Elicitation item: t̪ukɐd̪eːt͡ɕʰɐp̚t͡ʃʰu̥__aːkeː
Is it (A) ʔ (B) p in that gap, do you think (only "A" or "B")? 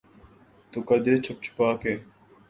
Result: B